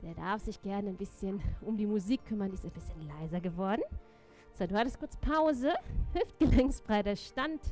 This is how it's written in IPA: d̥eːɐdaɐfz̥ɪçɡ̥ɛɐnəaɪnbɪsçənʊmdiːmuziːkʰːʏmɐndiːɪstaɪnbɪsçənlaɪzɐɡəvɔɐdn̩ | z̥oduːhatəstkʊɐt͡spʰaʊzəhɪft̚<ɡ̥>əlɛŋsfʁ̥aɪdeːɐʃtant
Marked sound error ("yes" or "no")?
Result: no